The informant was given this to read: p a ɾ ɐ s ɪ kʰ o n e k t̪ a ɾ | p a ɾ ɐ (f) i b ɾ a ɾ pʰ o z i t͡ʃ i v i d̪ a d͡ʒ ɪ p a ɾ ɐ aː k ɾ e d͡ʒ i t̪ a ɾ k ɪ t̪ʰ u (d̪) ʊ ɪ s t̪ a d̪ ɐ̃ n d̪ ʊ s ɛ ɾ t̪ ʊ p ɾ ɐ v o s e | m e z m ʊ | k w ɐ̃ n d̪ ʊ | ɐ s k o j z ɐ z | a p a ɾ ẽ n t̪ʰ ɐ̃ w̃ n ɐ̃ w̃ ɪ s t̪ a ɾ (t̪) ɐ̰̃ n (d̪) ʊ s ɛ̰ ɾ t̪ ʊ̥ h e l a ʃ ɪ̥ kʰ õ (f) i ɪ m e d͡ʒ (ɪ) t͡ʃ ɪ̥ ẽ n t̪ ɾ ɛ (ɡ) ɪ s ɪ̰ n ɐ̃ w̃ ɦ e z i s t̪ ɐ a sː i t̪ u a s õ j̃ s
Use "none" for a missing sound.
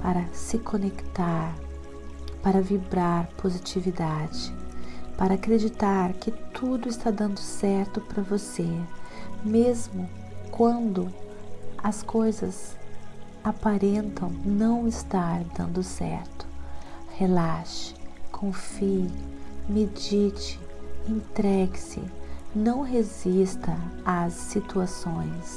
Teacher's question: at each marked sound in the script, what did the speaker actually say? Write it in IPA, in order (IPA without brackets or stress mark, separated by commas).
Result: v, d̪, d̪, d̪, f, i, ɡ